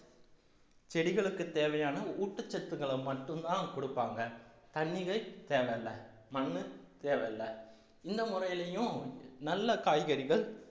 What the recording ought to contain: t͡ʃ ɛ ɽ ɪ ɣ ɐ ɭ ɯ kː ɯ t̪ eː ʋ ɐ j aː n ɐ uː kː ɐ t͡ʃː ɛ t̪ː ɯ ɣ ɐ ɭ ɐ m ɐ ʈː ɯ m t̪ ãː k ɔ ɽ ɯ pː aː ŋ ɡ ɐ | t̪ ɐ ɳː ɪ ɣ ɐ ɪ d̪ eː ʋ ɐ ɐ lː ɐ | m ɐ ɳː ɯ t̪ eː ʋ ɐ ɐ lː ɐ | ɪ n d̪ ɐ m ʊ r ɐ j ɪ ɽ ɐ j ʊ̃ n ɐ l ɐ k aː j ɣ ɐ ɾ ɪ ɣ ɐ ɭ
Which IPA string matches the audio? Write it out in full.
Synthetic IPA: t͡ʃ ɛ ɽ ɪ ɣ ɐ ɭ ɯ kː ɯ t̪ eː ʋ ɐ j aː n ɐ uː ʈː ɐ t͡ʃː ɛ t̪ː ɯ ɣ ɐ ɭ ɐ m ɐ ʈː ɯ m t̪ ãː k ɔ ɽ ɯ pː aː ŋ ɡ ɐ | t̪ ɐ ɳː ɪ ɣ ɐ ɪ t̪ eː ʋ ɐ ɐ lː ɐ | m ɐ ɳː ɯ t̪ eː ʋ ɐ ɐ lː ɐ | ɪ n d̪ ɐ m ʊ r ɐ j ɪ l ɐ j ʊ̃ n ɐ lː ɐ k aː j ɣ ɐ ɾ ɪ ɣ ɐ ɭ